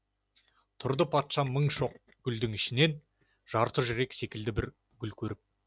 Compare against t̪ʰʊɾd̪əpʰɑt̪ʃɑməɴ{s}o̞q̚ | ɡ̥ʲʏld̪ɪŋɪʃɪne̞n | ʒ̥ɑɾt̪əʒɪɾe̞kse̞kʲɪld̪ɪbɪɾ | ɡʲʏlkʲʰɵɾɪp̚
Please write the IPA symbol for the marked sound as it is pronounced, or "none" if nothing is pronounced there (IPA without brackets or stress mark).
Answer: ʃ